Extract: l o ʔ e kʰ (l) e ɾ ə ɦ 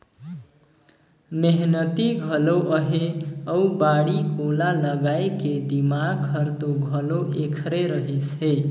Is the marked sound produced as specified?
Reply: no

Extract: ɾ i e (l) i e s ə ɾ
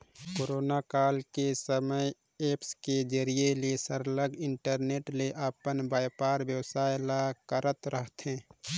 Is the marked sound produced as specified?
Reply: yes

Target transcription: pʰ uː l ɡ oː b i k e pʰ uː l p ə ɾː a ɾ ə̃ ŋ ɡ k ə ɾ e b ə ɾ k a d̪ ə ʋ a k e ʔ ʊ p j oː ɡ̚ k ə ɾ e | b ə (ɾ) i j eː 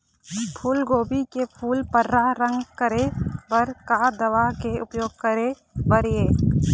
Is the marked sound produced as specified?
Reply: yes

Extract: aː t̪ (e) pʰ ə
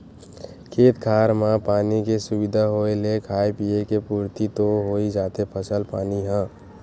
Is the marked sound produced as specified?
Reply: yes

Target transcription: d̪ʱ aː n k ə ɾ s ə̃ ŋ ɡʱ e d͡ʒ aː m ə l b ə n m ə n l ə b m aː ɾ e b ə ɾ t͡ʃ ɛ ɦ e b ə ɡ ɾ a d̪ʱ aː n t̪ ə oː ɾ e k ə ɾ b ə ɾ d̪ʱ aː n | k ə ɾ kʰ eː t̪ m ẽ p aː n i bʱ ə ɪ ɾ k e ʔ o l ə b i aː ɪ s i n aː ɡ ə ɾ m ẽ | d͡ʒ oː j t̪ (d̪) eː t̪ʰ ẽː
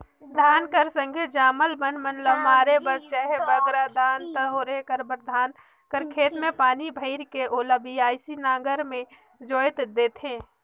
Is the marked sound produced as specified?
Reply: yes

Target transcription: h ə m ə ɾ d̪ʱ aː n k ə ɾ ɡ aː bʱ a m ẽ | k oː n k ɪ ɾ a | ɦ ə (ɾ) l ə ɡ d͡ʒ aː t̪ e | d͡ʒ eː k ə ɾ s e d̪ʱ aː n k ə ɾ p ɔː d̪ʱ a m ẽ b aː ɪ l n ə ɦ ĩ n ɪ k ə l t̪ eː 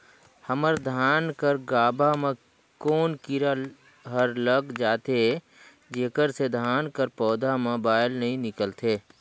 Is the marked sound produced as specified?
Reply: yes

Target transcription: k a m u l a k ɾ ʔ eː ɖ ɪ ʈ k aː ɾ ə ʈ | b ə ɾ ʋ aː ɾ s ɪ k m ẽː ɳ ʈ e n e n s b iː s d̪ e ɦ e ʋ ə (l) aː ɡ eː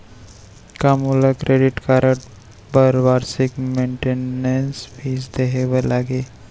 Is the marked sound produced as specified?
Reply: yes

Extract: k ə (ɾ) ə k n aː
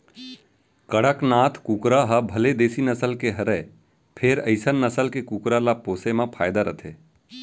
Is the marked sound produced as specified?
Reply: no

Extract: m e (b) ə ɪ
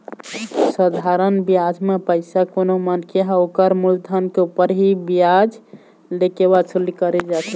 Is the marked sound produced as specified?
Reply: no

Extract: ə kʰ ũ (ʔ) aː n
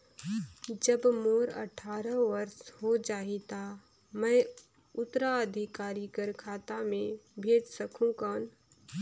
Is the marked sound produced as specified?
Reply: no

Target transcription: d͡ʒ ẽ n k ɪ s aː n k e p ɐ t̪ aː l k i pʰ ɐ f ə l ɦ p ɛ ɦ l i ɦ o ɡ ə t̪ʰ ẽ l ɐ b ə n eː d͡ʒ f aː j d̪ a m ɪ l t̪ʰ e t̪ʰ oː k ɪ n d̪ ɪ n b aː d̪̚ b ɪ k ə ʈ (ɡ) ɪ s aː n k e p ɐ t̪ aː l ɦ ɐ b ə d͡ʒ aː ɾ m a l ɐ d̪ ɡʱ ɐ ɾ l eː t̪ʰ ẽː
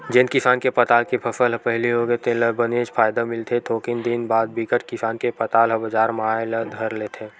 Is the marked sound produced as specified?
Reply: no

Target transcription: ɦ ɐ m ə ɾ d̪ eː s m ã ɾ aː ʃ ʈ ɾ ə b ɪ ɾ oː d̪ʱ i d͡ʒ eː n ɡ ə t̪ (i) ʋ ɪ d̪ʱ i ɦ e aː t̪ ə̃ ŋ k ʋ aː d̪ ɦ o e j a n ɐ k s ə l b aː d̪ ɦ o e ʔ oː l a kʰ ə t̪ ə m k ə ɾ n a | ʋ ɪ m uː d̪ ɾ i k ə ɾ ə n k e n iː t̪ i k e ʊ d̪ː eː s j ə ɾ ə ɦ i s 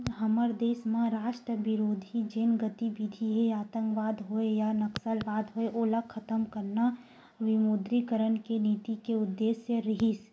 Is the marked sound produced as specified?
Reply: yes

